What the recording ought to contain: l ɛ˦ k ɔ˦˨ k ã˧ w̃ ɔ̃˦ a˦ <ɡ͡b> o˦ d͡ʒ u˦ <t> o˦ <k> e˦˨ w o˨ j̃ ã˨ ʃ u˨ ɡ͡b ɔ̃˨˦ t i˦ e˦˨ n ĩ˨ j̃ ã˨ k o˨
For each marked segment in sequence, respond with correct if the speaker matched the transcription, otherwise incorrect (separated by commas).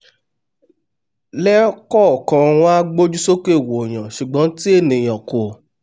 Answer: correct, incorrect, correct